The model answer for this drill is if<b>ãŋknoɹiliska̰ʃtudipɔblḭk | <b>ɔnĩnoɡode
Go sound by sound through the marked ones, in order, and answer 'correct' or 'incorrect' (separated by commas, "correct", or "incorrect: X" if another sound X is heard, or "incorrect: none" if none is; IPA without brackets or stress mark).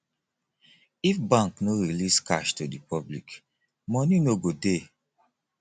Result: correct, incorrect: m